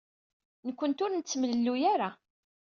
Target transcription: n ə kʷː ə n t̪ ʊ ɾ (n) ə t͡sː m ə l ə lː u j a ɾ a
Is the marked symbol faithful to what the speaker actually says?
yes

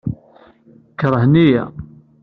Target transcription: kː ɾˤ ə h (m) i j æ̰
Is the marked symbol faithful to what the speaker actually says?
no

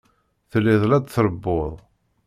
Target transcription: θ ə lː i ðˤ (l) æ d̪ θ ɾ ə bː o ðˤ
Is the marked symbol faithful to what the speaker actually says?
yes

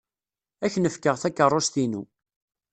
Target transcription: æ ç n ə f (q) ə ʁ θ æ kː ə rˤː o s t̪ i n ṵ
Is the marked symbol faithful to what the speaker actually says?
no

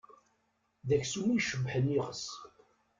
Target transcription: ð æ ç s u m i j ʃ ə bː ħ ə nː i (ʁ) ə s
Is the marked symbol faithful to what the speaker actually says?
yes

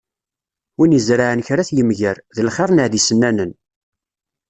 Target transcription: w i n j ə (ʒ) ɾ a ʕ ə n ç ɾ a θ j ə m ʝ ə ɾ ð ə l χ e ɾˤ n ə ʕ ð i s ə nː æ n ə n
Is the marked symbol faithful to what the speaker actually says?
no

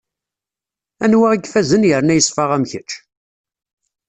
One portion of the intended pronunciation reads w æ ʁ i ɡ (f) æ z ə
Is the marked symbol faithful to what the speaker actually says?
yes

